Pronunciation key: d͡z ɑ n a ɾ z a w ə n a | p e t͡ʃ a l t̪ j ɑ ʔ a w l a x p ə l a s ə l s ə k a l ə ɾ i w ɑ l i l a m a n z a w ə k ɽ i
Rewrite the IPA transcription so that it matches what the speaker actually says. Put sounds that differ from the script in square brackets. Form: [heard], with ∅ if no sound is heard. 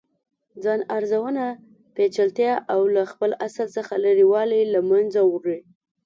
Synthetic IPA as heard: d͡z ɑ n a ɾ z a w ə n a | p e t͡ʃ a l t̪ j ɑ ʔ a w l a x p ə l a s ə l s ə [x] a l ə ɾ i w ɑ l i l a m a n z a w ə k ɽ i